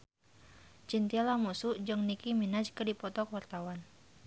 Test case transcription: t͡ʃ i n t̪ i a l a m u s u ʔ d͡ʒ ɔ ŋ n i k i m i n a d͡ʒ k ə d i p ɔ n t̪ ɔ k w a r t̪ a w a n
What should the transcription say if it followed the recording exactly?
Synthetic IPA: t͡ʃ i n t̪ i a l a m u s u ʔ d͡ʒ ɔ ŋ n i k i m i n a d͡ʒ k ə d i p ɔ t̪ ɔ k w a r t̪ a w a n